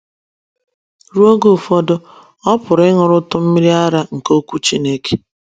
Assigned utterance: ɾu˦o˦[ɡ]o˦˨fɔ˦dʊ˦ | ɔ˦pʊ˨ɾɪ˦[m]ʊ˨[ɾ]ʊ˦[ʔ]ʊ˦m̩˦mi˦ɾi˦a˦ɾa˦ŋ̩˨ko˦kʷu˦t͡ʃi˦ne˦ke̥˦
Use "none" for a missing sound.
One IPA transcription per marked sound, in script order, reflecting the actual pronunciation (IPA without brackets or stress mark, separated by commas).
ɡ, ŋ, ɾ, t